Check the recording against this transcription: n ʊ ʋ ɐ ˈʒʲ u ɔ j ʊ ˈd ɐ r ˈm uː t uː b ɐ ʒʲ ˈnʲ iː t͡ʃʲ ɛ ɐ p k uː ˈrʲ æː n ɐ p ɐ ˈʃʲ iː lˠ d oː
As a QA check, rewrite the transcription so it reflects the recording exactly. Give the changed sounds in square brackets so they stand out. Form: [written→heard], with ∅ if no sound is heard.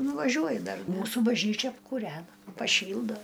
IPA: n ʊ ʋ ɐ ˈʒʲ u ɔ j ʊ ˈd ɐ r ˈm uː [t→s] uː b ɐ ʒʲ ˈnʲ iː t͡ʃʲ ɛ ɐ p k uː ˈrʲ æː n ɐ p ɐ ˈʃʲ iː lˠ d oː